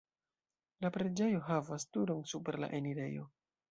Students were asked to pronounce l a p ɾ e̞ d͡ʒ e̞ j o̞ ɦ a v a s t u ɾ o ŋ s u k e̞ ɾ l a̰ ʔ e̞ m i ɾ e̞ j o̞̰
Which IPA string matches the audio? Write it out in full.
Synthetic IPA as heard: l a p ɾ e̞ d͡ʒ e̞ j o̞ ɦ a v a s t u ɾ o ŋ s u p e̞ ɾ l a̰ ʔ e̞ n i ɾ e̞ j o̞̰